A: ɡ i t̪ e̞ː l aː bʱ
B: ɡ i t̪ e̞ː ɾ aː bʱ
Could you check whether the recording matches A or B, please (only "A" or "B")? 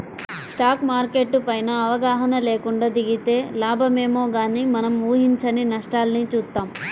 A